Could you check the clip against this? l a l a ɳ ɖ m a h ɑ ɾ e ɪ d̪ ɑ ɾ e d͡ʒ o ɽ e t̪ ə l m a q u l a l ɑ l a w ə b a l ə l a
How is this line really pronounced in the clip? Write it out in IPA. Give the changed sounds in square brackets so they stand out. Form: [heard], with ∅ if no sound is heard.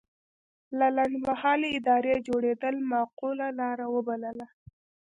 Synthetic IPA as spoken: l a l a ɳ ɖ m a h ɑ [l] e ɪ d̪ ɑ ɾ e d͡ʒ o ɽ e [d̪] ə l m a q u l a l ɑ [ɾ] a w ə b a l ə l a